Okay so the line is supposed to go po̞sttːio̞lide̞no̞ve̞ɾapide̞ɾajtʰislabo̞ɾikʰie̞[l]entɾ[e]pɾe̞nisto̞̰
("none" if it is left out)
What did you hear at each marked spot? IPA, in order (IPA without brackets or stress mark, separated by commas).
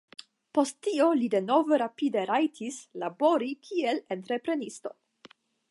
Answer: l, e